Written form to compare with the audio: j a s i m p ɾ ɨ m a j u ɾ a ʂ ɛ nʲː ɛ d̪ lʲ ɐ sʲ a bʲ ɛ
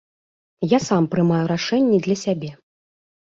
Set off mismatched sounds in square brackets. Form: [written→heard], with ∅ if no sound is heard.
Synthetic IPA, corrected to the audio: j a s [i→a] m p ɾ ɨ m a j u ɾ a ʂ ɛ nʲː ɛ d̪ lʲ ɐ sʲ a bʲ ɛ